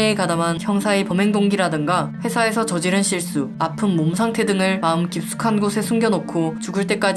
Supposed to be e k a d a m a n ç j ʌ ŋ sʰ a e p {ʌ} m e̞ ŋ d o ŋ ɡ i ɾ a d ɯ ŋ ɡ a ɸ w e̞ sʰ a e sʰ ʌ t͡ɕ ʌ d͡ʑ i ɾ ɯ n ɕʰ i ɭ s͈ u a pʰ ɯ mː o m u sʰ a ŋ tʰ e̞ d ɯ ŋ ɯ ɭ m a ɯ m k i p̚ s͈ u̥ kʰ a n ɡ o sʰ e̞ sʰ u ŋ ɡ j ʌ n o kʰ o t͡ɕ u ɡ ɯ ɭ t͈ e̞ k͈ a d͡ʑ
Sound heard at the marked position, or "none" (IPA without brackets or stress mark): ʌ